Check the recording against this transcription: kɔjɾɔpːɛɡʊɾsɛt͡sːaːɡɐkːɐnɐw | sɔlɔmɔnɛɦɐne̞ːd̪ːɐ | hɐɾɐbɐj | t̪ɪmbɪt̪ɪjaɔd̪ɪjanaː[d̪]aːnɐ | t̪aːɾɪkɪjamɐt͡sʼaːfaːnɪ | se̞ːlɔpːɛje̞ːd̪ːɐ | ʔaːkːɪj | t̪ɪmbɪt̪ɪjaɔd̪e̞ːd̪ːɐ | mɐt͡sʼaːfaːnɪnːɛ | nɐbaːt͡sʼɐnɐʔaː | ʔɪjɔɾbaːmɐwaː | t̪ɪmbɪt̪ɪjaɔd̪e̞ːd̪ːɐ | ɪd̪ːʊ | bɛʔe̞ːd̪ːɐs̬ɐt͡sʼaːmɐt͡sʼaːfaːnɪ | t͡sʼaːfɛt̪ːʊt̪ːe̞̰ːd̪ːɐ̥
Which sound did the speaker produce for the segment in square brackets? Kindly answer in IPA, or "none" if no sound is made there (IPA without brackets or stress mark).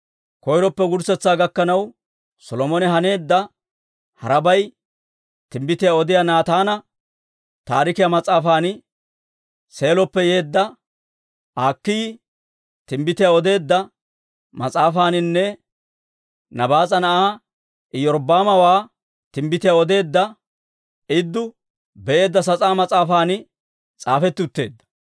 t̪